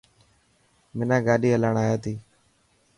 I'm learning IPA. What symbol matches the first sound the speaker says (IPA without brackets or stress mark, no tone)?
m